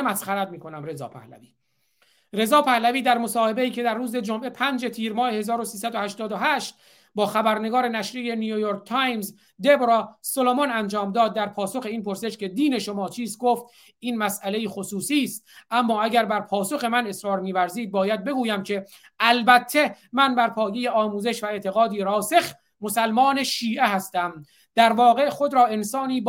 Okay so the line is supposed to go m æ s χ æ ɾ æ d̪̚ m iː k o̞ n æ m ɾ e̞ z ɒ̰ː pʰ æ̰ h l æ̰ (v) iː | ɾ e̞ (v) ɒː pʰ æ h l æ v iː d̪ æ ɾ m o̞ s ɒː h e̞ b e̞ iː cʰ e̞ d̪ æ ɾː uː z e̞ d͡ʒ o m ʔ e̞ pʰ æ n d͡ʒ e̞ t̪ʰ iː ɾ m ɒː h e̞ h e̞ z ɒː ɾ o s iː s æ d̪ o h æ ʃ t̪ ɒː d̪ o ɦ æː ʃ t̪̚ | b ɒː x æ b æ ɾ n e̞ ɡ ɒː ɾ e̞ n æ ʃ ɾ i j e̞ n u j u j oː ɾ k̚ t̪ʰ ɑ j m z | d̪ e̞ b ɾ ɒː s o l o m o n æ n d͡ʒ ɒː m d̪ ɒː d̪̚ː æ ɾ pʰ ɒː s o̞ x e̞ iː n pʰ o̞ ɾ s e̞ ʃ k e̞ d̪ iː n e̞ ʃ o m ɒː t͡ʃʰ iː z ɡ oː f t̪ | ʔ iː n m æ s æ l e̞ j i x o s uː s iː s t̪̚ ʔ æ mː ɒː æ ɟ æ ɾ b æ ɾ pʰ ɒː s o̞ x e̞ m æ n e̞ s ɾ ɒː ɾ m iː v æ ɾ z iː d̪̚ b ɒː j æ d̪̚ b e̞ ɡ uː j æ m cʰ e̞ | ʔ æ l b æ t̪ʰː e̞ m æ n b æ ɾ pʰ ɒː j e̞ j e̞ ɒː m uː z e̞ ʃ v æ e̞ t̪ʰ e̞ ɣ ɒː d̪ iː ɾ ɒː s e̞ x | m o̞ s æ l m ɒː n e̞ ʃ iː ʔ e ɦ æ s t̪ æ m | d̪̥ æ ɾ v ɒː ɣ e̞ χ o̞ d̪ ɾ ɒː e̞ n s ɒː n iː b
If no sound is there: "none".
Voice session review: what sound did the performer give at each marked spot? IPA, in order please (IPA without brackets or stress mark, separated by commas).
v, z